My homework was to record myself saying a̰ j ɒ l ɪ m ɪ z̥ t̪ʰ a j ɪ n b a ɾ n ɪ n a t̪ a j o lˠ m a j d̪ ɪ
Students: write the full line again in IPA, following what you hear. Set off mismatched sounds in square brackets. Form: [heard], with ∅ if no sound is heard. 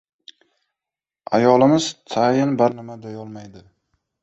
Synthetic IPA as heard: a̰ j ɒ l ɪ m ɪ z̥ t̪ʰ a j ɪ n b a ɾ n ɪ [m] a [d̪] a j [ɒ] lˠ m a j d̪ ɪ